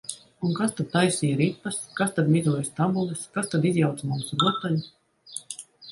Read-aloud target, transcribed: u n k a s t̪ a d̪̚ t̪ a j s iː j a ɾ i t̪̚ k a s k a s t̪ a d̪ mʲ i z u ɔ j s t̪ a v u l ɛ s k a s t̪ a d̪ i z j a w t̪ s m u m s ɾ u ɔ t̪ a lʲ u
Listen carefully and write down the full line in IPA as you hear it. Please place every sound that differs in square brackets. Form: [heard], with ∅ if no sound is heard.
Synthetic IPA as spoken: u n k a s t̪ a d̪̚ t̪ a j s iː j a ɾ i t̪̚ [p] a s k a s t̪ a d̪ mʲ i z u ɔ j s t̪ a [b] u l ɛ s k a s t̪ a d̪ i z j a w t̪ s m u m s ɾ u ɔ t̪ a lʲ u